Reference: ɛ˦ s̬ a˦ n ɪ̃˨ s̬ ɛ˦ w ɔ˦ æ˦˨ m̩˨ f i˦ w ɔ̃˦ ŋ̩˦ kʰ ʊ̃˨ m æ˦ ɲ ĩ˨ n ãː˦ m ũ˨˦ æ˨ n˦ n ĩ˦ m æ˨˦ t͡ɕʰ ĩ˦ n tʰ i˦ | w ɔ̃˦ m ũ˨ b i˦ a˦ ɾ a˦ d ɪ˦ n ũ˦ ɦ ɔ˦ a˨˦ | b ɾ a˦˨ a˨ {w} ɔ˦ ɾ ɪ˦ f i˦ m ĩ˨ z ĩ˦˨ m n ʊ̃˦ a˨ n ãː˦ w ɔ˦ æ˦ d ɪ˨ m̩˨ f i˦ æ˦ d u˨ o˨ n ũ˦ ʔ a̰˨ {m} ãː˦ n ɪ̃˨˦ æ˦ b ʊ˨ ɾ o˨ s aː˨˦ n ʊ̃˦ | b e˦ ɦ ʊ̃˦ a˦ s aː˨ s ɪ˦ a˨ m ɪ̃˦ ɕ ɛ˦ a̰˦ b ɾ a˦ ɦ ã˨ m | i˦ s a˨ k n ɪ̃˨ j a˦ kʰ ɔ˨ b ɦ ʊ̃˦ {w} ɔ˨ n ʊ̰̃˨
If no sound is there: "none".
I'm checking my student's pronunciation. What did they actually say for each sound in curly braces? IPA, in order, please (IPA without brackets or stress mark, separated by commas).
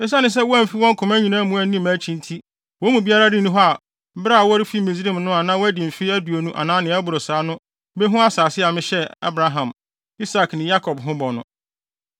w, n, b